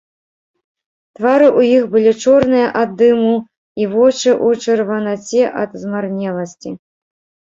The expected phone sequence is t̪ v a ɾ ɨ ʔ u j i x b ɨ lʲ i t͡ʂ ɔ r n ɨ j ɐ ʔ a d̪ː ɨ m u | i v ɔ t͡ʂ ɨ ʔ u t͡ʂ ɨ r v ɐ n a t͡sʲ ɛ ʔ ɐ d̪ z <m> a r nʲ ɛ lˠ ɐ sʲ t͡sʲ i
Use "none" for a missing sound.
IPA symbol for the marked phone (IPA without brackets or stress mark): m